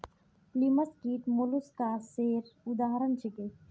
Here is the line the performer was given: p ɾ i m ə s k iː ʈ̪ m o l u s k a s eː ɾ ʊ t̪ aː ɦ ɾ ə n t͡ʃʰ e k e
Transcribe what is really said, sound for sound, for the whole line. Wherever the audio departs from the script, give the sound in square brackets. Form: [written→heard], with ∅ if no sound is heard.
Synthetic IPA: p [ɾ→l] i m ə s k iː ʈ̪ m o l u s k a s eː ɾ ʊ [t̪→d̪] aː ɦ ɾ ə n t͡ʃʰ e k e